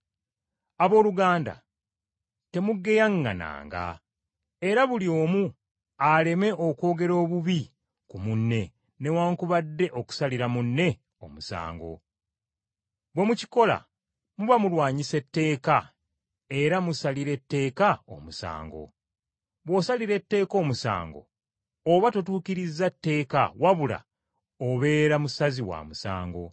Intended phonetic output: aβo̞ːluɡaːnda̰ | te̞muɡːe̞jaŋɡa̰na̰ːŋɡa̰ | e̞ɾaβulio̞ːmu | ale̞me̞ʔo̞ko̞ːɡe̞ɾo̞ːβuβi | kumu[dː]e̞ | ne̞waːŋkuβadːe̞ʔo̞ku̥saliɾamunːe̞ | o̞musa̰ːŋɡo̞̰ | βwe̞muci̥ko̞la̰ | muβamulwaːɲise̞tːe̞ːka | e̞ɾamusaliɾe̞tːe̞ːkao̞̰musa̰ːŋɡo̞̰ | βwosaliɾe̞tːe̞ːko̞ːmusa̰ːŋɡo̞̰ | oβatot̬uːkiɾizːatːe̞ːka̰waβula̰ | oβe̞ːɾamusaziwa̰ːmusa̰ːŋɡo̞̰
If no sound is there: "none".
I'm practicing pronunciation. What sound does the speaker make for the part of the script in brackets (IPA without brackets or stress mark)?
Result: nː